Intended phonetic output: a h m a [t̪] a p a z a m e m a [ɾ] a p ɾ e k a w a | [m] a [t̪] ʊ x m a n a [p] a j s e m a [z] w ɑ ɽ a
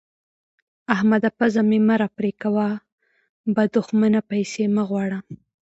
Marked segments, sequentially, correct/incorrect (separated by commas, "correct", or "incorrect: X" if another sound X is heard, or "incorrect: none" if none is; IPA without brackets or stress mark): incorrect: d̪, correct, incorrect: b, incorrect: d̪, correct, incorrect: ɣ